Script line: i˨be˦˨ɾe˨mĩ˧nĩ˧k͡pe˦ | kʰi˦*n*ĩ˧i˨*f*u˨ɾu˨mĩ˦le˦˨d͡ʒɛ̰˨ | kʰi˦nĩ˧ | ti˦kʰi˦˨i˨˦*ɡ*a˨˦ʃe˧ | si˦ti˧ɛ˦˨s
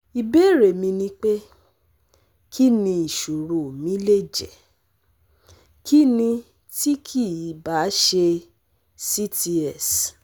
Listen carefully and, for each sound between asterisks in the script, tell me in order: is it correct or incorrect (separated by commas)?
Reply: correct, incorrect, incorrect